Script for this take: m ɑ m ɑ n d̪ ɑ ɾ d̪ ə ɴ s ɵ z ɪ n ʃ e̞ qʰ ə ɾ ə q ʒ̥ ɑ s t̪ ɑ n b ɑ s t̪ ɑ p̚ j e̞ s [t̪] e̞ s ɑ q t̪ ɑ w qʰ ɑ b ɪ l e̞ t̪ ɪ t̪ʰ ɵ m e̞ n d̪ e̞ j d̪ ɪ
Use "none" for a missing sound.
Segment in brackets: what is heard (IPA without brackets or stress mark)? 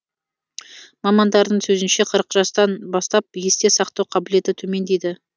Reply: t̪